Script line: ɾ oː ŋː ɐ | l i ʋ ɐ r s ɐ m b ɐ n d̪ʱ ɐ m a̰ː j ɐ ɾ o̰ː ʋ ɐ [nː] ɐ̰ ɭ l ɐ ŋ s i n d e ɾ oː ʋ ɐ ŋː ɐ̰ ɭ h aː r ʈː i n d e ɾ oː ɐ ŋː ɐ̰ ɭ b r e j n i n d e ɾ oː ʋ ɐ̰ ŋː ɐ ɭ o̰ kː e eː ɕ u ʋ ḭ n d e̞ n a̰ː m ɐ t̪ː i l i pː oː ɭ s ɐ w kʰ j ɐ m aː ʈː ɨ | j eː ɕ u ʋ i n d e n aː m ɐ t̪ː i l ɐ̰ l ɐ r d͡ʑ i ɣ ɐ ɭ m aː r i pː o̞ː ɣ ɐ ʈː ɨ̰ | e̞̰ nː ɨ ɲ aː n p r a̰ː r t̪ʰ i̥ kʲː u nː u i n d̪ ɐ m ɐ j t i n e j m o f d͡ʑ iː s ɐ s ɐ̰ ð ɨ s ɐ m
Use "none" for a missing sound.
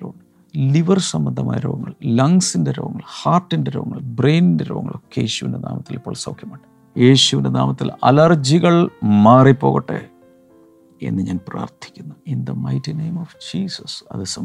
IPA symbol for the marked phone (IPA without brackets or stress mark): ŋː